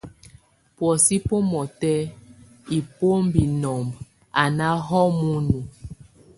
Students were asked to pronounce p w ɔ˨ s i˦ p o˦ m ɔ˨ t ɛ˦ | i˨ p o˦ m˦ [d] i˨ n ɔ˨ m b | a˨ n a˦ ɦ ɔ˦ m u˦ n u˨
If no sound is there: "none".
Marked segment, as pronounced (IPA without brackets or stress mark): b